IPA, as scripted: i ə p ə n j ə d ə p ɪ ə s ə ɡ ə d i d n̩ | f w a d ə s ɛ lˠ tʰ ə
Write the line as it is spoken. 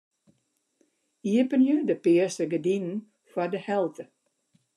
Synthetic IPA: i ə p ə n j ə d ə p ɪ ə s ə ɡ ə d i n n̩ | f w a d ə h ɛ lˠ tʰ ə